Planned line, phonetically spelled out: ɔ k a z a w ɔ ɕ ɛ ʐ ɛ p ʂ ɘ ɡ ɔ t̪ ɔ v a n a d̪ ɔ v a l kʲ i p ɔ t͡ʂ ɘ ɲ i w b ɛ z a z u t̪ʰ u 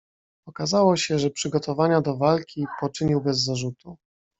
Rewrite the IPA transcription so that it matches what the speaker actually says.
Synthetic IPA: ɔ k a z a w ɔ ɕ ɛ ʐ ɛ p ʂ ɘ ɡ ɔ t̪ ɔ v a ɲ a d̪ ɔ v a l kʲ i p ɔ t͡ʂ ɘ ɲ i w b ɛ zː a ʐ u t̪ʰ u

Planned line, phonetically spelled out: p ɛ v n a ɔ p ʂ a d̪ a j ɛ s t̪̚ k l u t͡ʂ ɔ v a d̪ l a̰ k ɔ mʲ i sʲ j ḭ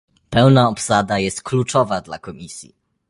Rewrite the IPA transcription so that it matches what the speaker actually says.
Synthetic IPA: p ɛ w n a ɔ p s a d̪ a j ɛ s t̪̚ k l u t͡ʂ ɔ v a d̪ l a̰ k ɔ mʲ i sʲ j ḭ

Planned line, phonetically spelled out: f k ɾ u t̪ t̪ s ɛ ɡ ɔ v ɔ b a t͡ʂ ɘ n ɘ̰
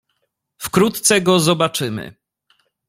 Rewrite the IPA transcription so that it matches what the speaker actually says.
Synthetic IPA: f k ɾ u t̪ t̪ s ɛ ɡ ɔ z ɔ b a t͡ʂ ɘ m ɘ̰

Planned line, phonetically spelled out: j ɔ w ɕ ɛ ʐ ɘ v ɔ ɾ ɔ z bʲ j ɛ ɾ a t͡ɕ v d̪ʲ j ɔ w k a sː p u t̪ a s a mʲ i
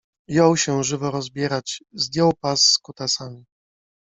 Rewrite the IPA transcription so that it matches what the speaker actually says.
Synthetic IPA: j ɔ w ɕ ɛ ʐ ɘ v ɔ ɾ ɔ z bʲ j ɛ ɾ a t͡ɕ z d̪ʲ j ɔ w p a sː k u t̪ a s a mʲ i

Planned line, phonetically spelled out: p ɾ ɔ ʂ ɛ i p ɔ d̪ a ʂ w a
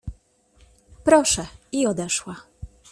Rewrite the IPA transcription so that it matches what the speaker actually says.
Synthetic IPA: p ɾ ɔ ʂ ɛ i ɔ d̪ ɛ ʂ w a

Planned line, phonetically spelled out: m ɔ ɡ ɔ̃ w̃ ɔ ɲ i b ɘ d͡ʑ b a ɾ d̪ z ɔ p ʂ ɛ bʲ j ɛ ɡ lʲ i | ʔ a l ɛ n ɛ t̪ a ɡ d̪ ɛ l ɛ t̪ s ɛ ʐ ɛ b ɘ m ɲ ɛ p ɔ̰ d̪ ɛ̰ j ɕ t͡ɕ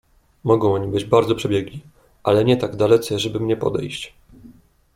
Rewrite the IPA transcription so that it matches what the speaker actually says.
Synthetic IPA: m ɔ ɡ ɔ̃ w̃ ɔ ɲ i b ɘ d͡ʑ b a ɾ d̪ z ɔ p ʂ ɛ bʲ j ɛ ɡ lʲ i | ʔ a l ɛ ɲ ɛ t̪ a ɡ d̪ a l ɛ t̪ s ɛ ʐ ɛ b ɘ m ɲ ɛ p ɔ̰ d̪ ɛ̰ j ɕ t͡ɕ

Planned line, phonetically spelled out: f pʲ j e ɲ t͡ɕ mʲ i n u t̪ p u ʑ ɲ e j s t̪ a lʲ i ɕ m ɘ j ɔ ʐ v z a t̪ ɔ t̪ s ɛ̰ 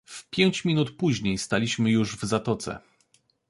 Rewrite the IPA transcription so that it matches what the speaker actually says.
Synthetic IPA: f pʲ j e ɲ t͡ɕ mʲ i n u t̪ p u ʑ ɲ e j s t̪ a lʲ i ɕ m ɘ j u ʐ v z a t̪ ɔ t̪ s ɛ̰

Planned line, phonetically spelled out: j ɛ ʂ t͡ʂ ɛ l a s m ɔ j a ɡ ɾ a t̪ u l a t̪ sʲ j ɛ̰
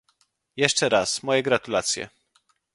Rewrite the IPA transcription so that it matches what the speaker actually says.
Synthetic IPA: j ɛ ʂ t͡ʂ ɛ ɾ a s m ɔ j ɛ ɡ ɾ a t̪ u l a t̪ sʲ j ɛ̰

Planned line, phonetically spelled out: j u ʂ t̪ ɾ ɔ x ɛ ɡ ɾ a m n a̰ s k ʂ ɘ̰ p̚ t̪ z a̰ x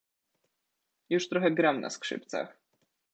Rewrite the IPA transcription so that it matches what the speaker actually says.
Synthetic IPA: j u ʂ t̪ ɾ ɔ x ɛ ɡ ɾ a m n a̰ s k ʂ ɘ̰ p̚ t̪ s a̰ x

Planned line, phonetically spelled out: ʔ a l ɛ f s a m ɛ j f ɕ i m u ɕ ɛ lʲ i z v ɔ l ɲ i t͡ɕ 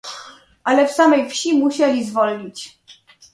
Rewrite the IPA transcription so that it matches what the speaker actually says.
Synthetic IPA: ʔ a l ɛ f s a m ɛ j f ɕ i m u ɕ ɛ lʲ i z v ɔ l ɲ i t͡ɕ

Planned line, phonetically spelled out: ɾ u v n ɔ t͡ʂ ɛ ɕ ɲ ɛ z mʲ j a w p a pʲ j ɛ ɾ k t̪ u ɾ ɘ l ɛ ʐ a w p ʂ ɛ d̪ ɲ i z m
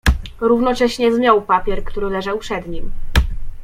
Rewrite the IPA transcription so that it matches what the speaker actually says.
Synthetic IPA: ɾ u v n ɔ t͡ʂ ɛ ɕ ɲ ɛ z mʲ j a w p a pʲ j ɛ ɾ k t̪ u ɾ ɘ l ɛ ʐ a w p ʂ ɛ d̪ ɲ i m

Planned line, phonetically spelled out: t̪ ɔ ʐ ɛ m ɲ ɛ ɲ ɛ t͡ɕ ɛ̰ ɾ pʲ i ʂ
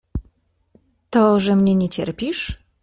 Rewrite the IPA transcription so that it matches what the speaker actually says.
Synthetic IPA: t̪ ɔ ʐ ɛ m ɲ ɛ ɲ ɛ t͡ɕ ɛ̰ ɾ pʲ i ʂ

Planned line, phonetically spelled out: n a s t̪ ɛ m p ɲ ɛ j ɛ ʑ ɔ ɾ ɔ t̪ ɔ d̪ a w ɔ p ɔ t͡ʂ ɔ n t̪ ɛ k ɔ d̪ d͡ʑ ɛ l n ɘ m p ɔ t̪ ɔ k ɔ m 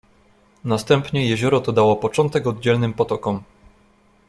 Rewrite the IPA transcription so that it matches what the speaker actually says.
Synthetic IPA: n a s t̪ ɛ m p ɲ ɛ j ɛ ʑ ɔ ɾ ɔ t̪ ɔ d̪ a w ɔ p ɔ t͡ʂ ɔ n t̪ ɛ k ɔ d̪ d͡ʑ ɛ l n ɘ m p ɔ t̪ ɔ k ɔ m

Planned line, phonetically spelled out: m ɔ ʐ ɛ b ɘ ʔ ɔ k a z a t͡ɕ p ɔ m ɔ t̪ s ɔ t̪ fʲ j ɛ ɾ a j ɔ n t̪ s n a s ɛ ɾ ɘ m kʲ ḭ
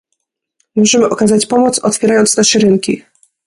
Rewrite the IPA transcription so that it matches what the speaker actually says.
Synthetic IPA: m ɔ ʐ ɛ m ɘ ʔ ɔ k a z a t͡ɕ p ɔ m ɔ t̪ s ɔ t̪ fʲ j ɛ ɾ a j ɔ n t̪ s n a ʂ ɛ ɾ ɘ ŋ kʲ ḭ

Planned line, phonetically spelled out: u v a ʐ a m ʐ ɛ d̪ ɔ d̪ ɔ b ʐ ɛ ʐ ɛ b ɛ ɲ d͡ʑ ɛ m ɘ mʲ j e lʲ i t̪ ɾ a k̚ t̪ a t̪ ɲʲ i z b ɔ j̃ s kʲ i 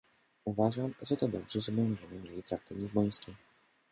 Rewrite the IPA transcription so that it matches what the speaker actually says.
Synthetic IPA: u v a ʐ a m ʐ ɛ t̪ ɔ d̪ ɔ b ʐ ɛ ʐ ɛ b ɛ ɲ d͡ʑ ɛ m ɘ mʲ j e lʲ i t̪ ɾ a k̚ t̪ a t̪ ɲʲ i z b ɔ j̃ s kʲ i

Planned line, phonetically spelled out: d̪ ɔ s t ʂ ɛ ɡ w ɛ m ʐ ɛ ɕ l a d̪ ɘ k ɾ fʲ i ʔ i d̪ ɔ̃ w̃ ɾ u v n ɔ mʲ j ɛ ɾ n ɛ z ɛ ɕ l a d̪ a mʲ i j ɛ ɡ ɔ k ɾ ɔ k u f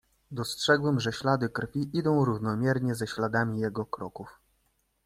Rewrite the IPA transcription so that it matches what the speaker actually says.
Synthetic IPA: d̪ ɔ s t ʂ ɛ ɡ w ɛ m ʐ ɛ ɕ l a d̪ ɘ k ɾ fʲ i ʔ i d̪ ɔ̃ w̃ ɾ u v n ɔ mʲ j ɛ ɾ ɲ ɛ z ɛ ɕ l a d̪ a mʲ i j ɛ ɡ ɔ k ɾ ɔ k u f

